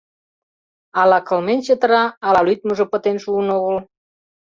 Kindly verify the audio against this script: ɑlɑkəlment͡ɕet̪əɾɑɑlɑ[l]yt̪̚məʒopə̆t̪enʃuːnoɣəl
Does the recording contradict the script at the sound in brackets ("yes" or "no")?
no